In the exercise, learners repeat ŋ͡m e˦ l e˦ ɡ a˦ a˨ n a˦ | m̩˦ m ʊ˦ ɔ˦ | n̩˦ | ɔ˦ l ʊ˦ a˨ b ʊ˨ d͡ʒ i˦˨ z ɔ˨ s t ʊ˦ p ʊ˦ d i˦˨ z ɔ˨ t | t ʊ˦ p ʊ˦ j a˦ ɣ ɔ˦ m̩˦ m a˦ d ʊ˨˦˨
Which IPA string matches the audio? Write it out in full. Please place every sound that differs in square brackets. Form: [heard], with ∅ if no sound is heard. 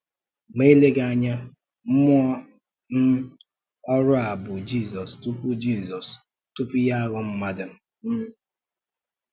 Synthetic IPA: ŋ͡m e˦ l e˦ ɡ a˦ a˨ [ɲ] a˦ | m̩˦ m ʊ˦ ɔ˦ | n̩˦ | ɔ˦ [ɾ] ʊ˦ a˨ b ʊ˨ d͡ʒ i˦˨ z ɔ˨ s t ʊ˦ p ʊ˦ [d͡ʒ] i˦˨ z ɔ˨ [s] | t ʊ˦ p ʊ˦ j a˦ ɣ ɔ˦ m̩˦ m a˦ d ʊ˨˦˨